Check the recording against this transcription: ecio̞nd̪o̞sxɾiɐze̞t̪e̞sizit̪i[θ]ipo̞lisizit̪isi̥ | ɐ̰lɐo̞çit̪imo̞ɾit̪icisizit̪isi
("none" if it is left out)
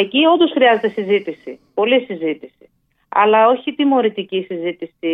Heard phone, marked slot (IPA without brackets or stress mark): s